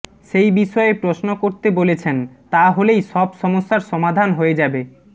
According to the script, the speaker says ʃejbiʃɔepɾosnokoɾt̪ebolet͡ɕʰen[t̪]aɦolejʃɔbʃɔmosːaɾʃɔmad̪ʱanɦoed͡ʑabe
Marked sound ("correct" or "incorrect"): correct